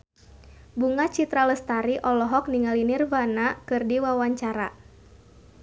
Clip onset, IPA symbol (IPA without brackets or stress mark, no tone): b